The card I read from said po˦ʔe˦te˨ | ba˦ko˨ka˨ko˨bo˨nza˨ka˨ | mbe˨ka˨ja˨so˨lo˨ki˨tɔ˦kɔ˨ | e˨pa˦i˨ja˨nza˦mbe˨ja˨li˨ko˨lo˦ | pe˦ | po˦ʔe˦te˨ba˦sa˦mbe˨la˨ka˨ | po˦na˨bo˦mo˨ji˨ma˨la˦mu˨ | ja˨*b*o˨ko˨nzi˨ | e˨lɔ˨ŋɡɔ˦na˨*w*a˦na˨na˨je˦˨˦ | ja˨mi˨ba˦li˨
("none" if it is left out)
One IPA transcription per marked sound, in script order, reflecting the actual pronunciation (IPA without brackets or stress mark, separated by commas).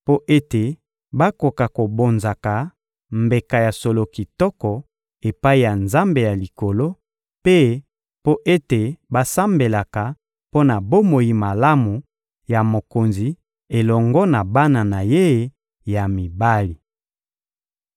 m, b